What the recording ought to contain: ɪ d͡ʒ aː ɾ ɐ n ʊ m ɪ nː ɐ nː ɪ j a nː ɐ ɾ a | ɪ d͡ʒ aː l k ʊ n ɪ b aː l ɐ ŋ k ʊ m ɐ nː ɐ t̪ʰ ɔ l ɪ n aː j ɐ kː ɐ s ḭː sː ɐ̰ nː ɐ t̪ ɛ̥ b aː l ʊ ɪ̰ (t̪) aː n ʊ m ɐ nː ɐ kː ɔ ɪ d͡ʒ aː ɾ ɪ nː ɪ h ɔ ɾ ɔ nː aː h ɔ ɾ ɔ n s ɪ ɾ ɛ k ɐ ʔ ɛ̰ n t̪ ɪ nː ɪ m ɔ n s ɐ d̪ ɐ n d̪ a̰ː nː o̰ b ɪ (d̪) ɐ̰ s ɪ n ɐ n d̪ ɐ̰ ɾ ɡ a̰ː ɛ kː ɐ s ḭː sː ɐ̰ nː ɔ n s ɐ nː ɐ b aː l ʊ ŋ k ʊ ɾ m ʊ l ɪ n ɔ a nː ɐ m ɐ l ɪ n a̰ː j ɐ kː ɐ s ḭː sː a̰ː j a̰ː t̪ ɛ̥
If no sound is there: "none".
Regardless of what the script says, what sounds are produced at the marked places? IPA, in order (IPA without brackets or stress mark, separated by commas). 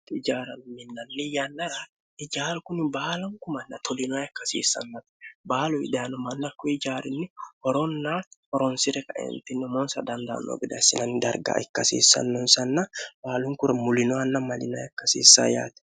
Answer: d̪, d̪